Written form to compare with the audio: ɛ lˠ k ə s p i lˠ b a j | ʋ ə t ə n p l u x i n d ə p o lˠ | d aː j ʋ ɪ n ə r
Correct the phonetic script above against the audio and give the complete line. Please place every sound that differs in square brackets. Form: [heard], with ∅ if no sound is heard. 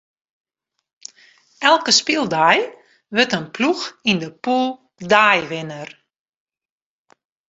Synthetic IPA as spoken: ɛ lˠ k ə s p i lˠ [d] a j | ʋ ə t ə n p l u x i n d ə p [u] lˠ | d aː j ʋ ɪ n ə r